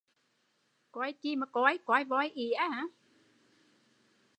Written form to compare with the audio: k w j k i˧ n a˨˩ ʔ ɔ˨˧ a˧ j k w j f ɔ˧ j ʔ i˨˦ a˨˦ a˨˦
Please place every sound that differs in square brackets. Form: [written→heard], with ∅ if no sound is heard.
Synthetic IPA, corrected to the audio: k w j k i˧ [n→m] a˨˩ [ʔ→k] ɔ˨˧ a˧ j k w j [f→v] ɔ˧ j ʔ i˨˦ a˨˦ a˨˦